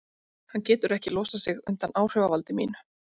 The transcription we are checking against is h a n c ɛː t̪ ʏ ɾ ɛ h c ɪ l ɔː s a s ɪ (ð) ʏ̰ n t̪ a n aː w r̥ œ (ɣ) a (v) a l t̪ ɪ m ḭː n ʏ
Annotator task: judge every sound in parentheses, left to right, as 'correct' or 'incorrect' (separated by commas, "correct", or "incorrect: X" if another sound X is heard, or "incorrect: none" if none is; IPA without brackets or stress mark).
incorrect: ɣ, incorrect: v, correct